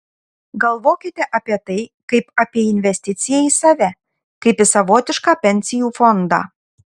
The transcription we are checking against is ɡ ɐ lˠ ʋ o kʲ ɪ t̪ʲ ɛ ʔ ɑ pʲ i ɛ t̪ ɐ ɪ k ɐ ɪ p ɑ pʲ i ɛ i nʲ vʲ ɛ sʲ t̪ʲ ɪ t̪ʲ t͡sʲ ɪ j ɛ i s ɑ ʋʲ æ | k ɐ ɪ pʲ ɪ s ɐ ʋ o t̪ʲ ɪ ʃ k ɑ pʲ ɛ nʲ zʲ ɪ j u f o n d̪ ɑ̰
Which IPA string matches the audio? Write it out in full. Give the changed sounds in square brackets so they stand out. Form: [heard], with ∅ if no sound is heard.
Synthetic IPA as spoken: ɡ ɐ lˠ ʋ o kʲ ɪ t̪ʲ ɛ ʔ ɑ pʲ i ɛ t̪ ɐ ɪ k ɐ ɪ p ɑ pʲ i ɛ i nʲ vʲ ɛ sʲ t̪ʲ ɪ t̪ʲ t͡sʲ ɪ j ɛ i s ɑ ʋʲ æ | k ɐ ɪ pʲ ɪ s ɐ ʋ o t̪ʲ ɪ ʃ k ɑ pʲ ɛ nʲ [sʲ] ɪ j u f o n d̪ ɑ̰